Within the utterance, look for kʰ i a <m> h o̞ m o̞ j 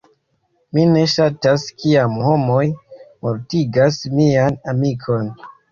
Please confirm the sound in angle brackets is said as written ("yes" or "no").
yes